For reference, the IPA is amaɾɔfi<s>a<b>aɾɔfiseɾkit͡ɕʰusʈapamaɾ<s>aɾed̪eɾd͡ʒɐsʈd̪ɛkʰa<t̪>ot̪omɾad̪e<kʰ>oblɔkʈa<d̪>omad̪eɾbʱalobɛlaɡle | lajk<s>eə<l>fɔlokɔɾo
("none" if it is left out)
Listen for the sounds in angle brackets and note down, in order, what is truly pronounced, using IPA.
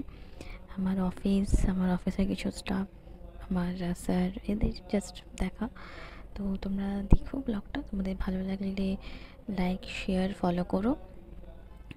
s, m, s, t̪, kʰ, t̪, ʃ, ɾ

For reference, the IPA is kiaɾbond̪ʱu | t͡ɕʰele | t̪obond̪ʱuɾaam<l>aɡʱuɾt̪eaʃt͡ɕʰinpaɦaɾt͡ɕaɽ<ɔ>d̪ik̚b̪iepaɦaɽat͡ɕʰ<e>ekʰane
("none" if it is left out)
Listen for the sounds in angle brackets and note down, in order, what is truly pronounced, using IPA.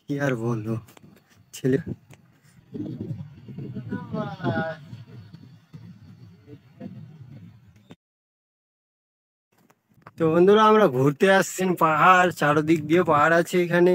ɾ, o, e

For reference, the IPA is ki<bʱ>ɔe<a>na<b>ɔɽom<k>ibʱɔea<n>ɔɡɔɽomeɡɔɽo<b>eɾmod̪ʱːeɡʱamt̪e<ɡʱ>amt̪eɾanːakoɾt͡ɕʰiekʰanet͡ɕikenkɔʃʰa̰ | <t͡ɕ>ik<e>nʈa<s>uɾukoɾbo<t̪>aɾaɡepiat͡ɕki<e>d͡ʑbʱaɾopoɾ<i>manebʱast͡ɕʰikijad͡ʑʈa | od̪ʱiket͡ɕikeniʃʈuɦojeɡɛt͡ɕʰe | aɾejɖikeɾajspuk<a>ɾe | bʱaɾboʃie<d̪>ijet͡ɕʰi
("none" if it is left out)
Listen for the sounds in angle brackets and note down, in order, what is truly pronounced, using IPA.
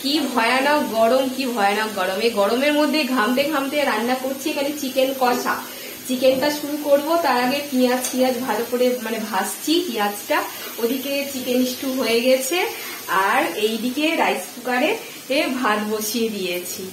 bʱ, a, ɡ, k, n, m, ɡʱ, t͡ɕ, e, ʃ, t̪, a, e, a, d̪

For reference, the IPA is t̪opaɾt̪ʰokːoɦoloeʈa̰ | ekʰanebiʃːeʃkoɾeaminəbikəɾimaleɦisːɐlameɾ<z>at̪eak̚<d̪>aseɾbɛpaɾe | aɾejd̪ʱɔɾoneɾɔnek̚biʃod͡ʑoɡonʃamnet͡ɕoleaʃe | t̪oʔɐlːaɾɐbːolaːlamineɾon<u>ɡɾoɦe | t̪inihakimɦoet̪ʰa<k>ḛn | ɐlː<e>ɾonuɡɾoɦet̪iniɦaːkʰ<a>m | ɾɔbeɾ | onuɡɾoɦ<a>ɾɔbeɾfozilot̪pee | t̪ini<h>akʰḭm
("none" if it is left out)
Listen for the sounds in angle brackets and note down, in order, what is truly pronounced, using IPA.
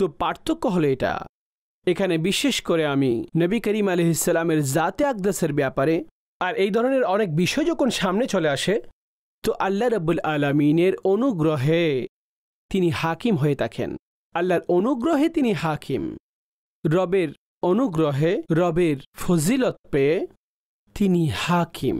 z, d̪, u, kʰ, a, i, e, h

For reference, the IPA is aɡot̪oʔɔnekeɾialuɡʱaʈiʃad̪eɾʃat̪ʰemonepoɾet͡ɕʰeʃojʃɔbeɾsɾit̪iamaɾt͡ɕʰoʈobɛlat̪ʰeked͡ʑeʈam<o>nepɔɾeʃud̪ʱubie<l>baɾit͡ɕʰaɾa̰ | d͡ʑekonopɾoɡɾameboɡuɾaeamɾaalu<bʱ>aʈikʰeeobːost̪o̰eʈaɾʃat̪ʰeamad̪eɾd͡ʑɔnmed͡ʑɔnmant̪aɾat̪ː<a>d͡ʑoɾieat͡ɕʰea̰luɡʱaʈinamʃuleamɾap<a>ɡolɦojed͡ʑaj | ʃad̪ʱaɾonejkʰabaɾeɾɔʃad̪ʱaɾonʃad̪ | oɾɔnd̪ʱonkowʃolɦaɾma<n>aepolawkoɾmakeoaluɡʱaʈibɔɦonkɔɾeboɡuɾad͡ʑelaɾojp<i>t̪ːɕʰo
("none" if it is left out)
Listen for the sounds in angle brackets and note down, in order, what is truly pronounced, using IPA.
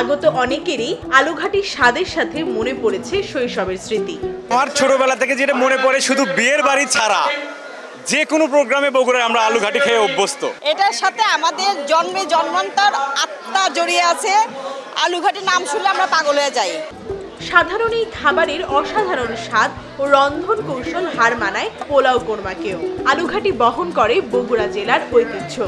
o, ɾ, ɡʱ, a, a, n, i

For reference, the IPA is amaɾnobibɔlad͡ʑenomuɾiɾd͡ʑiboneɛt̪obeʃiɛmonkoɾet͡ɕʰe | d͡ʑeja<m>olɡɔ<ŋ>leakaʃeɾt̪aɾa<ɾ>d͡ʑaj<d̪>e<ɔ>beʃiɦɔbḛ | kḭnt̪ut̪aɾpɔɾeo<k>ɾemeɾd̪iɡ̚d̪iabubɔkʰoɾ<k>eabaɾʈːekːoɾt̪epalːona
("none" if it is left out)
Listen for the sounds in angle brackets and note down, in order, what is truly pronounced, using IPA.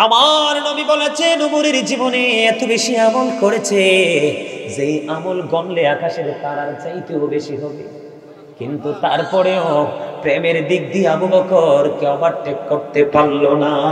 m, n, ɾ, t̪, o, p, k

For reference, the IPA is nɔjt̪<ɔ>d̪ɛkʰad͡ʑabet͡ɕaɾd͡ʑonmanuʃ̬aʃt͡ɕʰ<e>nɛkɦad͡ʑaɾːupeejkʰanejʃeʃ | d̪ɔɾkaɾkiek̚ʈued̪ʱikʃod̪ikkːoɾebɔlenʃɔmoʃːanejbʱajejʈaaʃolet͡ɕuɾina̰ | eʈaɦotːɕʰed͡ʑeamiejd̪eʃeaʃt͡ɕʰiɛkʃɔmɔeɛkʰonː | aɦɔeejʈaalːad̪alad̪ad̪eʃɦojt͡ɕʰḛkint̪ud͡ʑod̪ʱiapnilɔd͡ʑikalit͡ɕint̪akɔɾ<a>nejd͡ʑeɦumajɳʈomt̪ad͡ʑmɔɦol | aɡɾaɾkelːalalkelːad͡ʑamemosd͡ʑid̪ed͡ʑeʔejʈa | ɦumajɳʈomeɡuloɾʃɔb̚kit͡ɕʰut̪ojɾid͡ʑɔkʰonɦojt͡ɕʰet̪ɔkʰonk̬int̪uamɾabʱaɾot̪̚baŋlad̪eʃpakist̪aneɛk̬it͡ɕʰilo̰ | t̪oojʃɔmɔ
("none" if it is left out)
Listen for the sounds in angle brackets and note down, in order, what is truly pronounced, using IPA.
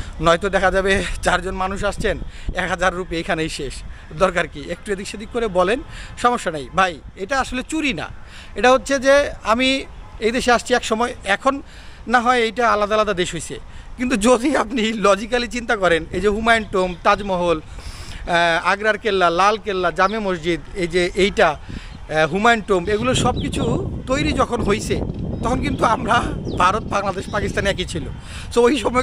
o, e, e

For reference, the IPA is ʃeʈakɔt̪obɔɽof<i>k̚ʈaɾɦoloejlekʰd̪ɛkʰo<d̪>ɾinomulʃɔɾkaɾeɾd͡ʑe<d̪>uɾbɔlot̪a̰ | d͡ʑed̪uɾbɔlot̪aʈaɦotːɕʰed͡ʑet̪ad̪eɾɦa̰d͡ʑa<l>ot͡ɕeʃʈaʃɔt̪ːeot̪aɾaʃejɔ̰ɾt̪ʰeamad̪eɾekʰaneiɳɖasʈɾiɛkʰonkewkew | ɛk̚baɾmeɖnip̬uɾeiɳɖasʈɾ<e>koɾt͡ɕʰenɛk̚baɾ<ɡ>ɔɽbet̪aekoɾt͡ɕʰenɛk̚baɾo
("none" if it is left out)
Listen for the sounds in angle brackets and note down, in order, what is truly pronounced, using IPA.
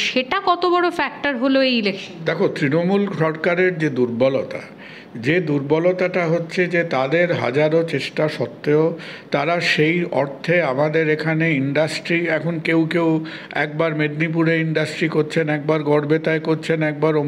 ɛ, t̪, d̪, ɾ, i, ɡ

